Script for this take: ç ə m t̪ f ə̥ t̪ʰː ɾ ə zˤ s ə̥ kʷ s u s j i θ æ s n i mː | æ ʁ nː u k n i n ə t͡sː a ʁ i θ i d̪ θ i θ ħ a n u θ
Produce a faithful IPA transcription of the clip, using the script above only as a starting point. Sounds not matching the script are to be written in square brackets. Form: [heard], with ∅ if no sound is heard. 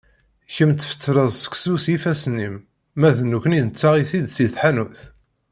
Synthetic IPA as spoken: ç ə m t̪ f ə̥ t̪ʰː ɾ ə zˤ s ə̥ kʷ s u s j i [f] æ s n i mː | æ [ð] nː u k n i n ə t͡sː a ʁ i θ i d̪ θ i θ ħ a n u θ